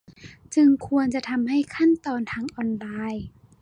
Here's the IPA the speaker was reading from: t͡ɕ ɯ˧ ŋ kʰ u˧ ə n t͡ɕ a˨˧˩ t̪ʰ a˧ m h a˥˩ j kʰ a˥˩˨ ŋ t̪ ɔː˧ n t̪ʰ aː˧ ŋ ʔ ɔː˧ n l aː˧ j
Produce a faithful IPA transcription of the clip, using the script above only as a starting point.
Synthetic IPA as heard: t͡ɕ ɯ˧ ŋ kʰ u˧ ə n t͡ɕ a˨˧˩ t̪ʰ a˧ m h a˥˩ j kʰ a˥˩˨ n t̪ ɔː˧ n t̪ʰ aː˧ ŋ ʔ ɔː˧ n l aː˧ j